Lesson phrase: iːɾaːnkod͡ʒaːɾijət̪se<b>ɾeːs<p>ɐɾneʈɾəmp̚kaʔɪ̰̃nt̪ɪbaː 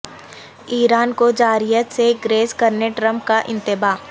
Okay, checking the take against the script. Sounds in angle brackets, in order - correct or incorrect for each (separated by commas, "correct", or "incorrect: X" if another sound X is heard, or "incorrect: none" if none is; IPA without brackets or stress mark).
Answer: incorrect: ɡ, incorrect: k